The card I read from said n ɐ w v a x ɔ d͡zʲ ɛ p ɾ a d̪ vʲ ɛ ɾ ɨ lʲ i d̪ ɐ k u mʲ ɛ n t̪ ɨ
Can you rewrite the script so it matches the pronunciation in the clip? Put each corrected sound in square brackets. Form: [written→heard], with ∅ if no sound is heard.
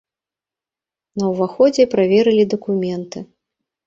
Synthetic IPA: n ɐ w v a x ɔ d͡zʲ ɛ p ɾ a [d̪→∅] vʲ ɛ ɾ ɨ lʲ i d̪ ɐ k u mʲ ɛ n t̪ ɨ